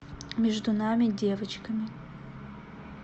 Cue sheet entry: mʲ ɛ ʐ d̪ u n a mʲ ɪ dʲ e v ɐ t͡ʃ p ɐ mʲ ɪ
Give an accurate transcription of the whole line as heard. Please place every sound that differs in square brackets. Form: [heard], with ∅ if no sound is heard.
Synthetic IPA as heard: mʲ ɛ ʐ d̪ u n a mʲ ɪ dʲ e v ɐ t͡ʃ [k] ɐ mʲ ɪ